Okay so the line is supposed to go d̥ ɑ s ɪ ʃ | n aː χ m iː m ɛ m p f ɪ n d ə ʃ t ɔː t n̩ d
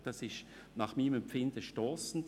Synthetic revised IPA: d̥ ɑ s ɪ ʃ | n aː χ m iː m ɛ m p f ɪ n d ə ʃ t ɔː s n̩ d